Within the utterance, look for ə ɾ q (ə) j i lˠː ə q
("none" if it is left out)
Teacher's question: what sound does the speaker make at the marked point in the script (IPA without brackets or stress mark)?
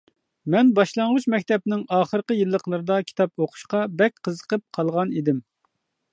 ə